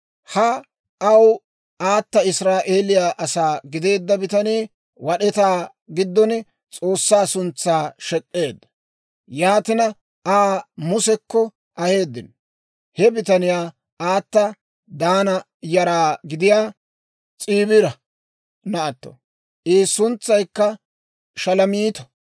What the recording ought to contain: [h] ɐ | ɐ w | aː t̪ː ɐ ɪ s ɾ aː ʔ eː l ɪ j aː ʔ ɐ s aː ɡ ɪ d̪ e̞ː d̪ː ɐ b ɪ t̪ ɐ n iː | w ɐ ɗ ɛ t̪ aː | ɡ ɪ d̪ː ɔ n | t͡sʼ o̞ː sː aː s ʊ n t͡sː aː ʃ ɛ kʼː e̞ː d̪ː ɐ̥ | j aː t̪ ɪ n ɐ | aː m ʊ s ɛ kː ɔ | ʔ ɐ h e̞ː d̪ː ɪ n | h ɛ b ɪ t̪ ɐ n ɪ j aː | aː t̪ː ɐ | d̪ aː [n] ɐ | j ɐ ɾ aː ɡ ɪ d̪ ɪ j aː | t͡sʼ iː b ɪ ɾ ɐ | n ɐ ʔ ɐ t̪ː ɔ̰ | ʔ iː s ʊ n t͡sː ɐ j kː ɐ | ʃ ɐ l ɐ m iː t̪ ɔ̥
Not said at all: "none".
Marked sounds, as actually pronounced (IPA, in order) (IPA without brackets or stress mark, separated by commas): h, n